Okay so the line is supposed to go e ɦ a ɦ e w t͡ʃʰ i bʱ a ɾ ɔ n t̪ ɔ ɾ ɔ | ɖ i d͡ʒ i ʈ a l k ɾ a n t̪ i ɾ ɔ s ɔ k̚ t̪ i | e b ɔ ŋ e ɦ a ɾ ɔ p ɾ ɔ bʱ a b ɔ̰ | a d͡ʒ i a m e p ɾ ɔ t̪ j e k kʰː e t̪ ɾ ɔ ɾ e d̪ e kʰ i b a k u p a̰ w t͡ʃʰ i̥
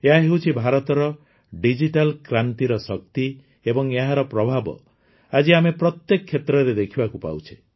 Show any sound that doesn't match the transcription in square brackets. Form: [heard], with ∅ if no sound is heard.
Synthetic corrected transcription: e ɦ a ɦ e w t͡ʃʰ i bʱ a ɾ ɔ [∅] t̪ ɔ ɾ ɔ | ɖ i d͡ʒ i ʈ a l k ɾ a n t̪ i ɾ ɔ s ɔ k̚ t̪ i | e b ɔ ŋ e ɦ a ɾ ɔ p ɾ ɔ bʱ a b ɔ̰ | a d͡ʒ i a m e p ɾ ɔ t̪ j e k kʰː e t̪ ɾ ɔ ɾ e d̪ e kʰ i b a k u p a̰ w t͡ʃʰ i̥